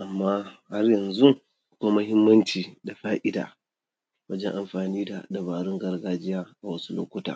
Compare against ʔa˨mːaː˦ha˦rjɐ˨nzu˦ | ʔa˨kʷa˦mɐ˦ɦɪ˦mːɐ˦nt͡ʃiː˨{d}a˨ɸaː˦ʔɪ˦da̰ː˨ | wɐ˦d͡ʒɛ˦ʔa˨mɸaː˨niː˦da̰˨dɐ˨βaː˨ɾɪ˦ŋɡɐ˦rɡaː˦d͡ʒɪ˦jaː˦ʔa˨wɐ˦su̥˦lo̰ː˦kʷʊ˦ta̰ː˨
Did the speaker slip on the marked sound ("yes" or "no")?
no